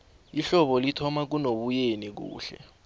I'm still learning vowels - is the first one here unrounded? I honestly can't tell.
yes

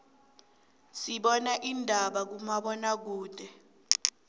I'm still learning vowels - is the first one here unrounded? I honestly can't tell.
yes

